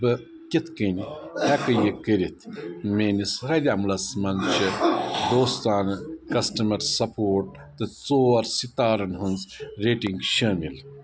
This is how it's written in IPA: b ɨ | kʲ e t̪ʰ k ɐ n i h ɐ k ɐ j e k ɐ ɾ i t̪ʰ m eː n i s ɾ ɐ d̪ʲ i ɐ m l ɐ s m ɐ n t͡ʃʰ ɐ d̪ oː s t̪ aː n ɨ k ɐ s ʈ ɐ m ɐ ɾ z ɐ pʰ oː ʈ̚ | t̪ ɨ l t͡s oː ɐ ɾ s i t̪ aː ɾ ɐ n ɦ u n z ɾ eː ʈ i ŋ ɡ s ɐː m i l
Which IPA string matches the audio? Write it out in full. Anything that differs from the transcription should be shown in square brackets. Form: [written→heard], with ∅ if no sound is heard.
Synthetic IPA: b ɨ | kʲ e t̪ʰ k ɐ n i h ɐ k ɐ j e k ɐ ɾ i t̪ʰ m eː n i s ɾ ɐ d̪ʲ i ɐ m l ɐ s m ɐ n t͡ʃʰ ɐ d̪ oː s t̪ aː n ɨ k ɐ s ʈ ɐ m ɐ ɾ [z→s] ɐ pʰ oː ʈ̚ | t̪ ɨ [l→∅] t͡s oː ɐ ɾ s i t̪ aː ɾ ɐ n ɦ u n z ɾ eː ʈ i ŋ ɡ [s→ʃ] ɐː m i l